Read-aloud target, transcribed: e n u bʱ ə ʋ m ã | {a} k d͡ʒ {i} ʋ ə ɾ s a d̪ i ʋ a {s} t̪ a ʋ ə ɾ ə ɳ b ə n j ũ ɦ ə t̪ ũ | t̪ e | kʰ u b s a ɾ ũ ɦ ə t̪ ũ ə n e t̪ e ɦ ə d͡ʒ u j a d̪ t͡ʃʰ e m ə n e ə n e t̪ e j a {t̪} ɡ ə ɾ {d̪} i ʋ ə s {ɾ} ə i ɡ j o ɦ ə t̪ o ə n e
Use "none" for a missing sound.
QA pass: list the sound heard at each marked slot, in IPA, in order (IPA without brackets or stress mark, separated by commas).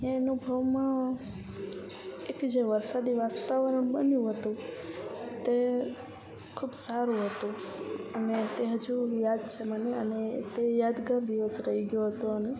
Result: e, e, s, d̪, d̪, ɾ